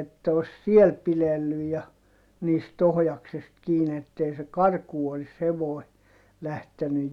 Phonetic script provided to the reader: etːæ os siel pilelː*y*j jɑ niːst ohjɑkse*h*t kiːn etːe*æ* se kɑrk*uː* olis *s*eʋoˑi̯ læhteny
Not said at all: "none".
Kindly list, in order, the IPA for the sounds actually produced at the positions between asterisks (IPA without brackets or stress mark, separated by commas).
y, s, i, uː, h